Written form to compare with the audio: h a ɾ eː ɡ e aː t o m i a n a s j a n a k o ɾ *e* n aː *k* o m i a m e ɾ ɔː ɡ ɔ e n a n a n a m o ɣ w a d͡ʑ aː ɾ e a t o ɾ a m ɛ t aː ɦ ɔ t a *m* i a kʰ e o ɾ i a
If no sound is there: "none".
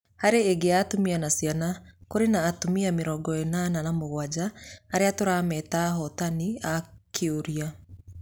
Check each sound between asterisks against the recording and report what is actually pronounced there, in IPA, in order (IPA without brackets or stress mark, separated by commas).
e, t, n